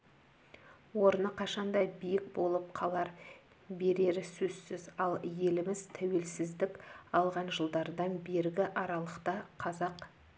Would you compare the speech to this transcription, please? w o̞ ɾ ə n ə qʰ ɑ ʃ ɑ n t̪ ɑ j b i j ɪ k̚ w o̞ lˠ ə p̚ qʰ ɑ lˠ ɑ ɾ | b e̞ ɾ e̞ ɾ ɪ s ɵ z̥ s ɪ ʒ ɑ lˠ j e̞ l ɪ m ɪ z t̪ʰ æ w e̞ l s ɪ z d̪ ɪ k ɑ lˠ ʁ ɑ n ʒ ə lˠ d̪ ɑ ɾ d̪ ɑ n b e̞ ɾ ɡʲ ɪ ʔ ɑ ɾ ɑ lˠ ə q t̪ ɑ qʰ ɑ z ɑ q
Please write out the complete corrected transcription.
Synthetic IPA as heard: w o̞ ɾ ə n ə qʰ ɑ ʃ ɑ n d̪ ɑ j b i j ɪ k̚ b o̞ lˠ ə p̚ qʰ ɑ lˠ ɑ ɾ | b e̞ ɾ e̞ ɾ ɪ s ɵ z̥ s ɪ z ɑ lˠ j e̞ l ɪ m ɪ z t̪ʰ æ w e̞ l s ɪ z d̪ ɪ k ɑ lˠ ʁ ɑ n ʒ ə lˠ d̪ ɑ ɾ d̪ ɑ n b e̞ ɾ ɡʲ ɪ ʔ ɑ ɾ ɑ lˠ ə q t̪ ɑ qʰ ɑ z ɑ q

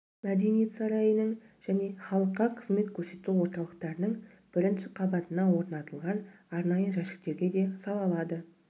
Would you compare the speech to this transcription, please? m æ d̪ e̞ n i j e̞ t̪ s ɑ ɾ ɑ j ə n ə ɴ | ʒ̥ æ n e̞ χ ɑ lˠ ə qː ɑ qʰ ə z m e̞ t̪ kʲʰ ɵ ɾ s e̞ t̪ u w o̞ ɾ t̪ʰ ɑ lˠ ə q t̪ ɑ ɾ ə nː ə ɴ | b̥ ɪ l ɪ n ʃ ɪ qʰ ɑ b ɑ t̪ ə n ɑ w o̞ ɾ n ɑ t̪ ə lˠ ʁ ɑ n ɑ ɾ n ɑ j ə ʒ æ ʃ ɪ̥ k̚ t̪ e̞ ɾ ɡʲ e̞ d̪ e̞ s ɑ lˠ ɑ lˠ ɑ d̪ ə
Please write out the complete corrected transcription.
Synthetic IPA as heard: m æ d̪ e̞ n i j e̞ t̪ s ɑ ɾ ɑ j ə n ə ɴ | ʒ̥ æ n e̞ χ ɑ lˠ ə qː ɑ qʰ ə z m e̞ t̪ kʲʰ ɵ ɾ s e̞ t̪ u w o̞ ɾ t̪ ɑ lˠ ə q t̪ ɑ ɾ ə n ə ɴ | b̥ ɪ ɾ ɪ n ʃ ɪ qʰ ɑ b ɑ t̪ ə n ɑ w o̞ ɾ n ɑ t̪ ə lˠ ʁ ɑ n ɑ ɾ n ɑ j ə ʒ æ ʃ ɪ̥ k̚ t̪ e̞ ɾ ɡʲ e̞ d̪ e̞ s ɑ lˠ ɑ lˠ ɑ d̪ ə

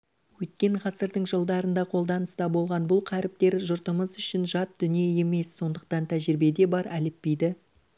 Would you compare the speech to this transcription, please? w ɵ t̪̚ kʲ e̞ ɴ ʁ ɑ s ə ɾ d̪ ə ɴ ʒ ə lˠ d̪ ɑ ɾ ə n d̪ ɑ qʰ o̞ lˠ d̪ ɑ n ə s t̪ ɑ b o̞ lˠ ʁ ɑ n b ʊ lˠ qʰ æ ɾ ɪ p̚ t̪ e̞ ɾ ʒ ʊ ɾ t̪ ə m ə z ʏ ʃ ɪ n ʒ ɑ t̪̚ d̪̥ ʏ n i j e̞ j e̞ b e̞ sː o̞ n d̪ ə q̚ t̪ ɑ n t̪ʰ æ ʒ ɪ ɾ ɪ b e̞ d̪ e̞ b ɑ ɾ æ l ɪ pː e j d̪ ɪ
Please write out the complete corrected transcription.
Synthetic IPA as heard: w ɵ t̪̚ kʲ e̞ ɴ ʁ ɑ s ə ɾ d̪ ə ɴ ʒ ə lˠ d̪ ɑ ɾ ə n d̪ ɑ qʰ o̞ lˠ d̪ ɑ n ə s t̪ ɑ b o̞ lˠ ʁ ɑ n b ʊ lˠ qʰ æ ɾ ɪ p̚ t̪ e̞ ɾ ʒ ʊ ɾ t̪ ə m ə z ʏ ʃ ɪ n ʒ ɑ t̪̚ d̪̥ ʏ n i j e̞ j e̞ m e̞ sː o̞ n d̪ ə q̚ t̪ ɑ n t̪ʰ æ ʒ ɪ ɾ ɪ b e̞ d̪ e̞ b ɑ ɾ æ l ɪ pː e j d̪ ɪ

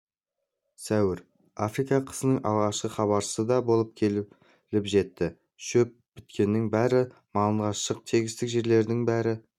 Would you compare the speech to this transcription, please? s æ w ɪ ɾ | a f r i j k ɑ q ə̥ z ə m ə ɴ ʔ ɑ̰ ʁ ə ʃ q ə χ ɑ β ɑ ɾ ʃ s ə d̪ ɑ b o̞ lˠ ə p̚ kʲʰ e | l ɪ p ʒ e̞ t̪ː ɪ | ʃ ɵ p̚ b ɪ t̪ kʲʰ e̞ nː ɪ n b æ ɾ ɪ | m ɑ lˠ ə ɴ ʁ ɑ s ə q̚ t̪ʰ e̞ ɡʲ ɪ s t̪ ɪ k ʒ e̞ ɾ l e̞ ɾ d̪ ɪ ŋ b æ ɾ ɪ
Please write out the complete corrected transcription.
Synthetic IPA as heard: s æ w ɪ ɾ | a f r i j k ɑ qʰ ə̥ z ə n ə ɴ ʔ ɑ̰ ʁ ɑ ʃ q ə χ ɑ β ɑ ɾ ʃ s ə d̪ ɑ b o̞ lˠ ə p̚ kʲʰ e | l ɪ p ʒ e̞ t̪ː ɪ | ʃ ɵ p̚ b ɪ t̪ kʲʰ e̞ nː ɪ ŋ b æ ɾ ɪ | m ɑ lˠ ə ɴ ʁ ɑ ʃ ə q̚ t̪ʰ e̞ ɡʲ ɪ s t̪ ɪ k ʒ e̞ ɾ l e̞ ɾ d̪ ɪ ŋ b æ ɾ ɪ

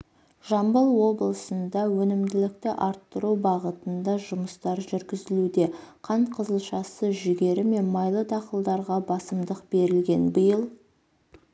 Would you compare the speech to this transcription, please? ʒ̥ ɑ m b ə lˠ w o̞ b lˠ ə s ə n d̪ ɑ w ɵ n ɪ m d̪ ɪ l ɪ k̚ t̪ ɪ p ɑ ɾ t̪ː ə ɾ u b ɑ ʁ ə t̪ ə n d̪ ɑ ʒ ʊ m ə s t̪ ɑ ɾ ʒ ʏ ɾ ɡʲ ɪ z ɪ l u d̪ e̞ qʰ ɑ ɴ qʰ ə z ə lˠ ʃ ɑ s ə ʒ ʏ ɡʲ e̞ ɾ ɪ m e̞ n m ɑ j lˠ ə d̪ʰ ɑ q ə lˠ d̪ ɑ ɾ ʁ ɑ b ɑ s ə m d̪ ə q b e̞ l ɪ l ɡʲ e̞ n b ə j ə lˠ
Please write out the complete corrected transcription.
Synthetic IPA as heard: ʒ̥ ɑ m b ə lˠ w o̞ b lˠ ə s ə n d̪ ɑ w ɵ n ɪ m d̪ ɪ l ɪ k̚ t̪ ɪ ʔ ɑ ɾ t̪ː ə ɾ u b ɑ ʁ ə t̪ ə n d̪ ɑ ʒ ʊ m ə s t̪ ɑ ɾ ʒ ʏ ɾ ɡʲ ɪ z ɪ l u d̪ e̞ qʰ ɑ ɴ qʰ ə z ə lˠ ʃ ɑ s ə ʒ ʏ ɡʲ e̞ ɾ ɪ m e̞ n m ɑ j lˠ ə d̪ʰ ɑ q ə lˠ d̪ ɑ ɾ ʁ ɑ b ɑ s ə m d̪ ə q b e̞ ɾ ɪ l ɡʲ e̞ n b ə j ə lˠ

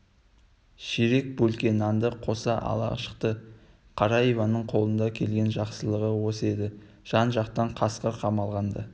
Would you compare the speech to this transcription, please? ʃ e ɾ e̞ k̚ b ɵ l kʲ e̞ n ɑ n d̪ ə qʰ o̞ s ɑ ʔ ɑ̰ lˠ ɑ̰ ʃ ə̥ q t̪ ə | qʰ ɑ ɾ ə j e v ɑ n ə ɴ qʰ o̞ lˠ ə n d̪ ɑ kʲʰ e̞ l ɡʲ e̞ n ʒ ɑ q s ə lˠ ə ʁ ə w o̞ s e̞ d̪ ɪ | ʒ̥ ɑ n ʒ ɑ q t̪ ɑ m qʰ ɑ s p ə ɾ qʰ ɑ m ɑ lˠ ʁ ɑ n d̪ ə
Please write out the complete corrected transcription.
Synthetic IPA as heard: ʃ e ɾ e̞ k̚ b ɵ l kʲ e̞ n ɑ n d̪ ə qʰ o̞ s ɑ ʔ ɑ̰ lˠ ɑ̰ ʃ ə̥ q t̪ ə | qʰ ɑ ɾ ɑ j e v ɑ n ə ɴ qʰ o̞ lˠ ə n d̪ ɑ kʲʰ e̞ l ɡʲ e̞ n ʒ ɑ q s ə lˠ ə ʁ ə w o̞ s e̞ d̪ ɪ | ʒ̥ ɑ n ʒ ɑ q t̪ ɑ ɴ qʰ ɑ s q ə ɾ qʰ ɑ m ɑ lˠ ʁ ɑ n d̪ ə

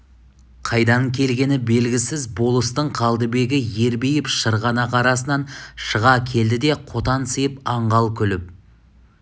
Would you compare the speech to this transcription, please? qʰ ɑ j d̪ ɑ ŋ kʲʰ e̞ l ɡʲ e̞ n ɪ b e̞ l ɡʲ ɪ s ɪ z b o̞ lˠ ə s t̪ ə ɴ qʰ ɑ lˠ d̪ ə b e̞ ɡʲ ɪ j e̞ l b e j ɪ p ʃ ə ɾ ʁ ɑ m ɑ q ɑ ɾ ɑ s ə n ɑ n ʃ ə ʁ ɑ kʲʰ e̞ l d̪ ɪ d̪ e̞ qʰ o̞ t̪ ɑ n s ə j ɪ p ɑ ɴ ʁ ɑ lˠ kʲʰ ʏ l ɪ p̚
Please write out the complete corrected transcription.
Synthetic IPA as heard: qʰ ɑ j d̪ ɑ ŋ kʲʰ e̞ l ɡʲ e̞ n ɪ b e̞ l ɡʲ ɪ s ɪ z b o̞ lˠ ə s t̪ ə ɴ qʰ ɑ lˠ d̪ ə b e̞ ɡʲ ɪ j e̞ ɾ b e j ɪ p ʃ ə ɾ ʁ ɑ n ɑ q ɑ ɾ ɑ s ə n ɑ n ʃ ə ʁ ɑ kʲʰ e̞ l d̪ ɪ d̪ e̞ qʰ o̞ t̪ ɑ n s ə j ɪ p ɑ ɴ ʁ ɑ lˠ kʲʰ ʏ l ɪ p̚

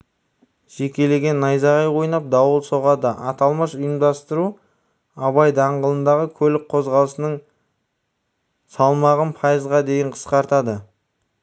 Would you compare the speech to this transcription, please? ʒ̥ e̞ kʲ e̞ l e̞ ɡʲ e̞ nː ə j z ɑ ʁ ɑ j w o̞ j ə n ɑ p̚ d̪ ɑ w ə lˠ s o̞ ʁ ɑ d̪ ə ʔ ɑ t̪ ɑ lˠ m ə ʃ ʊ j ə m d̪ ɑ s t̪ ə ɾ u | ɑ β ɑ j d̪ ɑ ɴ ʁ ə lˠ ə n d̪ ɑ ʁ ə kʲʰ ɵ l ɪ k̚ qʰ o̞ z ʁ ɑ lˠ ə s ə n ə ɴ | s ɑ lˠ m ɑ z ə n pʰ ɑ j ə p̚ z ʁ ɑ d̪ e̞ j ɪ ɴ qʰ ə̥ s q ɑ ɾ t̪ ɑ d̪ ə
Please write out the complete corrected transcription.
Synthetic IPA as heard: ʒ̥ e̞ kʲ e̞ l e̞ ɡʲ e̞ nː ɑ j z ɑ ʁ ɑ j w o̞ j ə n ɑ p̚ d̪ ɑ w ə lˠ s o̞ ʁ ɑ d̪ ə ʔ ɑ t̪ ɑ lˠ m ə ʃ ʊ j ə m d̪ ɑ s t̪ ə ɾ u | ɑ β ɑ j d̪ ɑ ɴ ʁ ə lˠ ə n d̪ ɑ ʁ ə kʲʰ ɵ l ɪ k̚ qʰ o̞ z ʁ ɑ lˠ ə s ə n ə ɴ | s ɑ lˠ m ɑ ʁ ə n pʰ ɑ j ə z ʁ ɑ d̪ e̞ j ɪ ɴ qʰ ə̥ s q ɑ ɾ t̪ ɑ d̪ ə

